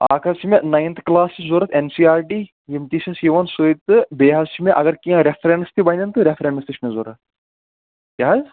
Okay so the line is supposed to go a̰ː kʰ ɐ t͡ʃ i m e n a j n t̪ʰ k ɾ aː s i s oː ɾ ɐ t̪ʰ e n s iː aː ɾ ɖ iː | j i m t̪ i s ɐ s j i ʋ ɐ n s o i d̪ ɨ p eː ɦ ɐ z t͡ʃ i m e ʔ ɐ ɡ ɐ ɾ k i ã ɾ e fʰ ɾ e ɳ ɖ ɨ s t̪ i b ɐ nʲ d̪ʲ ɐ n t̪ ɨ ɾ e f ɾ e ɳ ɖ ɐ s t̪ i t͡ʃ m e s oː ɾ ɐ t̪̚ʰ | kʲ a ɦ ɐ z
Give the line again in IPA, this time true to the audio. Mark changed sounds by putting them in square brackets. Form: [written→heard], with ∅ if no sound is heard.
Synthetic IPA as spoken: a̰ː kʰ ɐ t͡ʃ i m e n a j n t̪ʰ k [ɾ→l] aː s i [s→z] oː ɾ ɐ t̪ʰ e n s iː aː ɾ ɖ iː | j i m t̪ i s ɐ s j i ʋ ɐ n s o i [d̪→t̪] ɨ [p→b] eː ɦ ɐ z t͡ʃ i m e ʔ ɐ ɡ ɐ ɾ k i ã ɾ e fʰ ɾ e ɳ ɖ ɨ s t̪ i b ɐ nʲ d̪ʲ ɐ n t̪ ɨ ɾ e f ɾ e ɳ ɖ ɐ s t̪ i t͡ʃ m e [s→z] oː ɾ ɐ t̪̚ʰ | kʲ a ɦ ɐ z